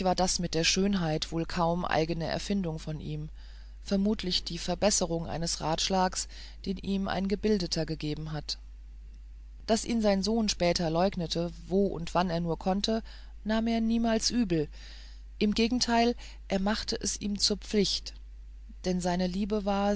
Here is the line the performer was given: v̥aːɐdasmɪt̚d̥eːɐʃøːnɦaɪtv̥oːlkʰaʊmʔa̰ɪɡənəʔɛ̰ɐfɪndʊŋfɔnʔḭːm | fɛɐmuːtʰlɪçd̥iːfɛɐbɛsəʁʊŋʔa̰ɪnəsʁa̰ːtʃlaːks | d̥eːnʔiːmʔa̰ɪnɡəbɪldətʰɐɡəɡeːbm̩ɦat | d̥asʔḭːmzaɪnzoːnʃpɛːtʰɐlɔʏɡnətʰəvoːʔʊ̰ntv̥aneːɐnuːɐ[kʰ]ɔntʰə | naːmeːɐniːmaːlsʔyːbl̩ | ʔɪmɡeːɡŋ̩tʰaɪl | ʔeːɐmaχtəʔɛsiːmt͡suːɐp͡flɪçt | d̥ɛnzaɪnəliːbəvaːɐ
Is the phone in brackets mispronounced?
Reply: no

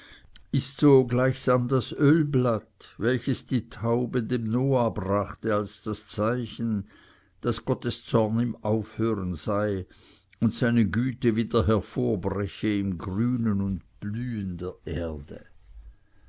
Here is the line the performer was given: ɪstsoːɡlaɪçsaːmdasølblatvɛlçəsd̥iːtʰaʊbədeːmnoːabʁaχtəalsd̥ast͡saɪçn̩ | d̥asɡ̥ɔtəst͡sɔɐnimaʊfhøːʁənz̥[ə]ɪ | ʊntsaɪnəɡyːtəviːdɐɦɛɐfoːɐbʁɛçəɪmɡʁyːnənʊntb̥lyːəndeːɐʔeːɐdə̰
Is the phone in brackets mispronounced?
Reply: yes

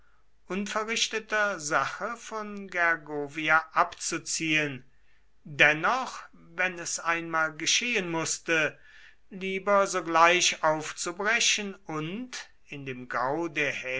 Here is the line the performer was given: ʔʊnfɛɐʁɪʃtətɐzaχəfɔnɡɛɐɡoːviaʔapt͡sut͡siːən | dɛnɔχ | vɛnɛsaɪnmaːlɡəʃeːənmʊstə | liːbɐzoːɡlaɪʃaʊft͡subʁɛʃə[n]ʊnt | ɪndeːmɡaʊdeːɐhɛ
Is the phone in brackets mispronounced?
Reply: no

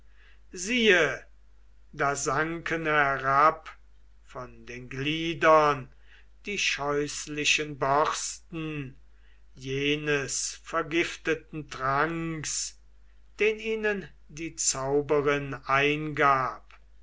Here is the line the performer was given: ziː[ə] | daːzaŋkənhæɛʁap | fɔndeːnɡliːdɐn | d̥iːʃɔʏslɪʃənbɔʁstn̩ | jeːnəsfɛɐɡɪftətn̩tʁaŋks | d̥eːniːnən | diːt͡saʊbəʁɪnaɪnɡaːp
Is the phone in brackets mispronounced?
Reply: no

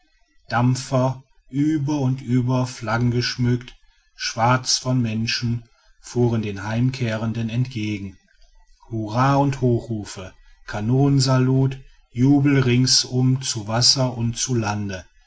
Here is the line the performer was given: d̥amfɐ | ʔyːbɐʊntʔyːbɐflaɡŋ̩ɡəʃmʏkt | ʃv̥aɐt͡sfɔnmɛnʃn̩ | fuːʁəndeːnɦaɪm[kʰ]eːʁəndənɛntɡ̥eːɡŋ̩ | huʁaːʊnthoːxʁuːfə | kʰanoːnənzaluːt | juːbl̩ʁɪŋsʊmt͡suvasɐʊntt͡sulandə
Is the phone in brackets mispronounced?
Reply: no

